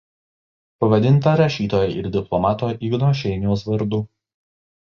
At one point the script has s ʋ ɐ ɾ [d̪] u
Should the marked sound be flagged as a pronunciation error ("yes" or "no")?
no